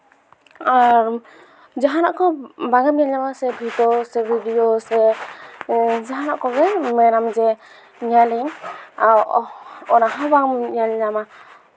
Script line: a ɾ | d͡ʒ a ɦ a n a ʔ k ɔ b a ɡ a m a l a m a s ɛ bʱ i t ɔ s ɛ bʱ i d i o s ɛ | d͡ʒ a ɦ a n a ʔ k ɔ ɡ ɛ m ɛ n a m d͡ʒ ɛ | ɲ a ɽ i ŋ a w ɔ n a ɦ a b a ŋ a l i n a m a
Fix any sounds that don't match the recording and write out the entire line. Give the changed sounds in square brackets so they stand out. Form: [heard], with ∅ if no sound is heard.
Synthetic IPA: a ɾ | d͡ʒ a ɦ a n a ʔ k ɔ b a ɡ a m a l a m a s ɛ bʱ i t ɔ s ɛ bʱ i d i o s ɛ | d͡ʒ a ɦ a n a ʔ k ɔ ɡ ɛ m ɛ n a m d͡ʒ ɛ | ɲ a [l] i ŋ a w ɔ n a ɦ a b a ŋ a l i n a m a